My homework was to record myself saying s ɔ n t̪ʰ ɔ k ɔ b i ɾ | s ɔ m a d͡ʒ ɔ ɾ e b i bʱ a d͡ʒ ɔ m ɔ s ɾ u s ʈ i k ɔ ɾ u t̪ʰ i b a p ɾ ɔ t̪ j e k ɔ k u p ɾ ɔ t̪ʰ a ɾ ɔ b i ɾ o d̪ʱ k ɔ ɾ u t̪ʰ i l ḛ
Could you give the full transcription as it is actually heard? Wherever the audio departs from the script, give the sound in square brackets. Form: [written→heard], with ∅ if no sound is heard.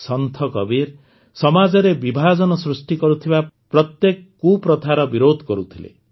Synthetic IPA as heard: s ɔ n t̪ʰ ɔ k ɔ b i ɾ | s ɔ m a d͡ʒ ɔ ɾ e b i bʱ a d͡ʒ ɔ [m→n] ɔ s ɾ u s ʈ i k ɔ ɾ u t̪ʰ i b a p ɾ ɔ t̪ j e k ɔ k u p ɾ ɔ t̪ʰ a ɾ ɔ b i ɾ o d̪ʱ k ɔ ɾ u t̪ʰ i l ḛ